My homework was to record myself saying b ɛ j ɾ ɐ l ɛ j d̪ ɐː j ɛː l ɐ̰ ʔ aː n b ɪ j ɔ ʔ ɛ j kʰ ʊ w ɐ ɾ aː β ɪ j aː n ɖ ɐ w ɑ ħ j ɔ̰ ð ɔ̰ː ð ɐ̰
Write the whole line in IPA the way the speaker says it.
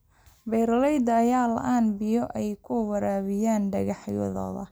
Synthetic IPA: b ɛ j ɾ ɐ l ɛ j d̪ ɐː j aː l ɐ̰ ʔ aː n b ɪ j ɔ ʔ ɛ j kʰ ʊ w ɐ ɾ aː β ɪ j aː n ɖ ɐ ɣ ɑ ħ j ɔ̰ ð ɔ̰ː ð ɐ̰